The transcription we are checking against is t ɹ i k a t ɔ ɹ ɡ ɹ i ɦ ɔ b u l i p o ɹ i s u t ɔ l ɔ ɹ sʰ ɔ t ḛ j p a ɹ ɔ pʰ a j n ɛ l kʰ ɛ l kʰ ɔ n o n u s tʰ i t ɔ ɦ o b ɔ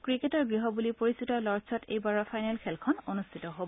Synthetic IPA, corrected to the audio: k ɹ i k e t ɔ ɹ ɡ ɹ i ɦ ɔ b u l i p o ɹ i s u t ɔ l ɔ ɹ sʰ ɔ t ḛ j b a ɹ ɔ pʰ a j n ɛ l kʰ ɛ l kʰ ɔ n o n u s tʰ i t ɔ ɦ o b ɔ